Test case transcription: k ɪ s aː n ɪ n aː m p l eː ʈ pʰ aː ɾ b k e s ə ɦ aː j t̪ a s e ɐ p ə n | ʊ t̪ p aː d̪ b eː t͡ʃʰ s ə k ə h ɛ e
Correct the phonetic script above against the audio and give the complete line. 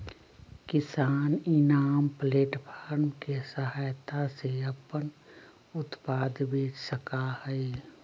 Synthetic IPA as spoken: k ɪ s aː n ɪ n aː m p l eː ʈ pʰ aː ɾ m k e s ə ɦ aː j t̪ a s e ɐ p ə n | ʊ t̪ p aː d̪ b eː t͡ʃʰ s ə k a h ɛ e